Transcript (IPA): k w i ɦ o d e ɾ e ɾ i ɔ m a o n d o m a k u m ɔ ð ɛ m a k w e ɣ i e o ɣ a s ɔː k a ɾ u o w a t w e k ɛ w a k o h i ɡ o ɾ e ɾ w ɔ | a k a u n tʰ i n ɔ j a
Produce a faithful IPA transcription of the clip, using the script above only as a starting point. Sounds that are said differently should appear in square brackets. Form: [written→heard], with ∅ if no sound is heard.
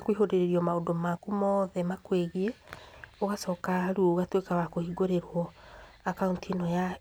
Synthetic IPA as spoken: k w i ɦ o d e ɾ e ɾ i ɔ m a o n d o m a k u m ɔ ð ɛ m a k w e ɣ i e o ɣ a s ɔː k a ɾ u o [w→ɣ] a t w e k [ɛ→a] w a k o h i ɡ o ɾ e ɾ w ɔ | a k a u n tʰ i n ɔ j a